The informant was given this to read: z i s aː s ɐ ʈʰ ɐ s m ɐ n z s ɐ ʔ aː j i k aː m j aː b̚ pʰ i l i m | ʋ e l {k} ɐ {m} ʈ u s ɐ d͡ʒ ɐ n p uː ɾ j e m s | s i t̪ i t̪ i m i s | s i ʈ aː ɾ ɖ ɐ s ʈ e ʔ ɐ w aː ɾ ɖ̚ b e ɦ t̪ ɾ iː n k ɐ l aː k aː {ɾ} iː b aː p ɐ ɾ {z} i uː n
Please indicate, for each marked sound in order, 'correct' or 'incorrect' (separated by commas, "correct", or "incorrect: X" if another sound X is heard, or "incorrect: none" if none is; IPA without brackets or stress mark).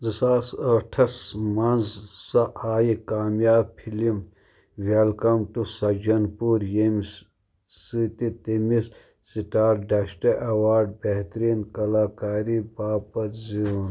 correct, correct, correct, correct